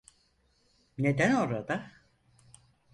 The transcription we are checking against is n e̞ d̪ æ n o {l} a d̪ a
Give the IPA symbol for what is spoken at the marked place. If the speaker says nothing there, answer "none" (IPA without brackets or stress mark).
ɾ